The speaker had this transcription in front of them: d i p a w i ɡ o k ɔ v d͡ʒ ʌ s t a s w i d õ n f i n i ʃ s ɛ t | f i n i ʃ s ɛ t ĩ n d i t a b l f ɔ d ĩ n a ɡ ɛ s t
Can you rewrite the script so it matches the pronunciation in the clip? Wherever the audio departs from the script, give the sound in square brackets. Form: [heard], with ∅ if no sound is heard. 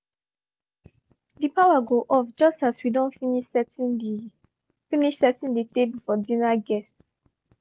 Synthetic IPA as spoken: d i p a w [a] ɡ o [ʔ] ɔ [f] d͡ʒ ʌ s t a s w i d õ n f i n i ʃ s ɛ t | f i n i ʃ s ɛ t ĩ n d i t [e] b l f ɔ d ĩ n a ɡ ɛ s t

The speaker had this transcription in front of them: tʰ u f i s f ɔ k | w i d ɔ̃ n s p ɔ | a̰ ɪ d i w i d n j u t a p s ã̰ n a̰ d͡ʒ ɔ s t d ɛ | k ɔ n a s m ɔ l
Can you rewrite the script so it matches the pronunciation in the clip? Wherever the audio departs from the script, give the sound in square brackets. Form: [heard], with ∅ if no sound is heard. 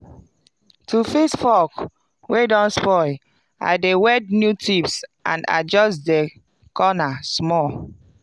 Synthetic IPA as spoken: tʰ u f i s f ɔ k | w [e] d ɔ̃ n s p ɔ | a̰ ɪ d [e] w [ɛ] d n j u t [i] p s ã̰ n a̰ d͡ʒ ɔ s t d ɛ | k ɔ n a s m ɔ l

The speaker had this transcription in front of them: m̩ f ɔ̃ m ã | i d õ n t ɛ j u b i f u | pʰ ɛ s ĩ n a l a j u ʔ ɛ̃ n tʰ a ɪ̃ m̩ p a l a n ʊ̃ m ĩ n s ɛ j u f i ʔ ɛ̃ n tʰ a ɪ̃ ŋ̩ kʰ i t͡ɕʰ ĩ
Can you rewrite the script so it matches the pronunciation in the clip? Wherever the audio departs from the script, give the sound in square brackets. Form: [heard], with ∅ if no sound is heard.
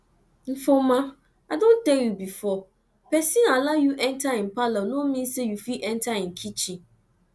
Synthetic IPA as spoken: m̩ f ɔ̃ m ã | [a] d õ n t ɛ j u b i f [ɔ] | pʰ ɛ s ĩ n a l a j u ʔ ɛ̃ n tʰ a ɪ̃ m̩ p a l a n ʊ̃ m ĩ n s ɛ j u f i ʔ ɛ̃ n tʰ a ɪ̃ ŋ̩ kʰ i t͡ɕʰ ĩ

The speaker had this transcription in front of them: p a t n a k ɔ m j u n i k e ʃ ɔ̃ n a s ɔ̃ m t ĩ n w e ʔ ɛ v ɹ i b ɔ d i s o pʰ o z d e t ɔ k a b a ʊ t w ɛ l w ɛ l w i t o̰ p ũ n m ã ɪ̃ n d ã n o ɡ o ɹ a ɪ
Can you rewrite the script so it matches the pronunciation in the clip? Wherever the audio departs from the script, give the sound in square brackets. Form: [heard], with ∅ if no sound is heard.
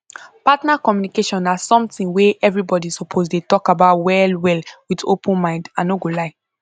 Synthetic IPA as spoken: p a t n a k ɔ m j u n i k e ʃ ɔ̃ n a s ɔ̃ m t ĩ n w e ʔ ɛ v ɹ i b ɔ d i s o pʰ o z d e t ɔ k a b a ʊ t w ɛ l w ɛ l w i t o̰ p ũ n m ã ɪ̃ n d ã n o ɡ o [l] a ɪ

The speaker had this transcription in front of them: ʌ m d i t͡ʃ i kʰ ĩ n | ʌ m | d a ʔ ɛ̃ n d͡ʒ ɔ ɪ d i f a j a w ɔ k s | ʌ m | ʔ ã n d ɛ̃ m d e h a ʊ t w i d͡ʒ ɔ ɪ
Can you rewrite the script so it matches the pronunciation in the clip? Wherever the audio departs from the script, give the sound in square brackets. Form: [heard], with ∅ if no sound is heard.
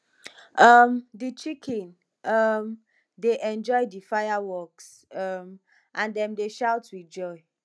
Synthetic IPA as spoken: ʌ m d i t͡ʃ i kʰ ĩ n | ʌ m | d [e] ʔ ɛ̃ n d͡ʒ ɔ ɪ d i f a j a w ɔ k s | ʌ m | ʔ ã n d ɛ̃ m d e [ʃ] a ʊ t w i d͡ʒ ɔ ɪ

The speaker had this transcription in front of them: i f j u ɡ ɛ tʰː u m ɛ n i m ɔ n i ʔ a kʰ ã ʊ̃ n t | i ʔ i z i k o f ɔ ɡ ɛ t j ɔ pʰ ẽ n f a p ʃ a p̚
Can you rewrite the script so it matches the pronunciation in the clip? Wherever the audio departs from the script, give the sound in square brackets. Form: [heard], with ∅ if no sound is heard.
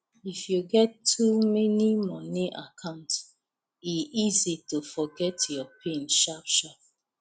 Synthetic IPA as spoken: i f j u ɡ ɛ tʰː u m ɛ n i m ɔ n i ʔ a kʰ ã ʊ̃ n t | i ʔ i z i [t] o f ɔ ɡ ɛ t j ɔ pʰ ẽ n [ʃ] a p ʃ a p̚

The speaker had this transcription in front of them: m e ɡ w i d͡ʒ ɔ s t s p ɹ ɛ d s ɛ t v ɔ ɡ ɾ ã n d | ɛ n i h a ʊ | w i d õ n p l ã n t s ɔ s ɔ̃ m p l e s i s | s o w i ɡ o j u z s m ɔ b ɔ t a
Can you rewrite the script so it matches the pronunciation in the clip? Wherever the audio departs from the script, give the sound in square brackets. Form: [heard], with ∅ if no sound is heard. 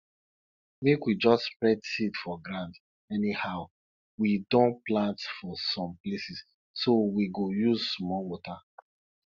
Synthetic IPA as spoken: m e [k] w i d͡ʒ ɔ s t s p ɹ ɛ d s [i] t [f] ɔ ɡ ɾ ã n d | ɛ n i h a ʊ | w i d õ n p l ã n t [f] ɔ s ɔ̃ m p l e s i s | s o w i ɡ o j u z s m ɔ [w] ɔ t a

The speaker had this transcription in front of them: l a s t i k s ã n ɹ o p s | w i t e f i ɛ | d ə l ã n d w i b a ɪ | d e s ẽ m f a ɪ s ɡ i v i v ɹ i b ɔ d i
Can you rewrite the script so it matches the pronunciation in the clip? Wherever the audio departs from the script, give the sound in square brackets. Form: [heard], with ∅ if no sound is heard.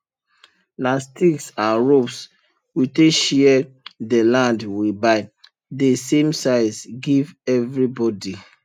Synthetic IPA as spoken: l a s t i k s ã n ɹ o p s | w i t e [ʃ] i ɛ | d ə l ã n d w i b a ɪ | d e s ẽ m [s] a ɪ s ɡ i v [ɛ] v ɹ i b ɔ d i

